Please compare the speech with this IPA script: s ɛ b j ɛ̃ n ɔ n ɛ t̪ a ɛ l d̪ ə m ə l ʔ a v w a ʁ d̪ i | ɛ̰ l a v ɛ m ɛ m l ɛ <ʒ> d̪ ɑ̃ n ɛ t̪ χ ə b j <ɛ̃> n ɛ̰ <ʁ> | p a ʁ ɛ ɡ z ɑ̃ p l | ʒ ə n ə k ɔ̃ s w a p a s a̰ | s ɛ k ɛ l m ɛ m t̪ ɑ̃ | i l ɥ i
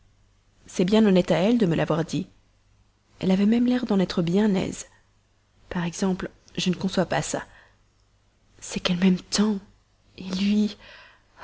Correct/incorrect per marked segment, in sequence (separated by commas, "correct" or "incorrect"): incorrect, correct, incorrect